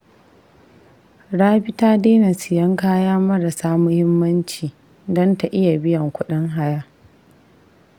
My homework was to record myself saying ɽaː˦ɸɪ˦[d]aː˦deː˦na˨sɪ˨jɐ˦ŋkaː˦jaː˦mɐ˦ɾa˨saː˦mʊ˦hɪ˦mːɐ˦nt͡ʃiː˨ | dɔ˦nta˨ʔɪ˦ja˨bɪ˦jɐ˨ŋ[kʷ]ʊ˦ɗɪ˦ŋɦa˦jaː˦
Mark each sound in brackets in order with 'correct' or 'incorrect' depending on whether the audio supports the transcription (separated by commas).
incorrect, correct